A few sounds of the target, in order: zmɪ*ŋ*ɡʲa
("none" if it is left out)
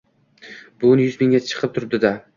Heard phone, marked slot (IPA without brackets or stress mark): ŋ